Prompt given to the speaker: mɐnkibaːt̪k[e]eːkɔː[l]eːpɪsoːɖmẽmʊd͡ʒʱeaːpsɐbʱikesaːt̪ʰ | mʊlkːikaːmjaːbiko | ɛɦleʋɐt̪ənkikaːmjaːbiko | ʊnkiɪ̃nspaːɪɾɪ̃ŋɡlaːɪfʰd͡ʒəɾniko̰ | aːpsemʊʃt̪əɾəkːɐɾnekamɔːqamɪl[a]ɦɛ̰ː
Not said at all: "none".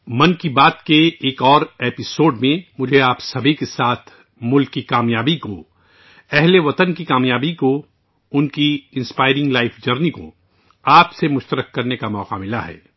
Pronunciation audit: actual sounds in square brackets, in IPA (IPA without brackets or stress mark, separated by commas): e, ɾ, a